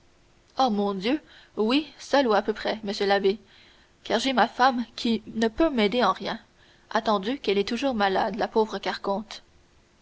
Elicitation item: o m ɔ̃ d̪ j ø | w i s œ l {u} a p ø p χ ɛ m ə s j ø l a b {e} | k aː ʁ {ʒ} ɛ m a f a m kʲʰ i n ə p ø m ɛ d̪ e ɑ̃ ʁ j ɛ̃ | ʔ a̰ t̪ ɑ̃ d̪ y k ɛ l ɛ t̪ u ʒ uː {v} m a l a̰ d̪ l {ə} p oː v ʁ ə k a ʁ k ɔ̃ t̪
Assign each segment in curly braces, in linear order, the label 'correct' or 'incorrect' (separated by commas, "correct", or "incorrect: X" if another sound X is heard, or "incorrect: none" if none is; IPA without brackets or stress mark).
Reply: correct, correct, correct, incorrect: ʁ, incorrect: a